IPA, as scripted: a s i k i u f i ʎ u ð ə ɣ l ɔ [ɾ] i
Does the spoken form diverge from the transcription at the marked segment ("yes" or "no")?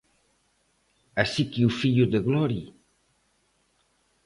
no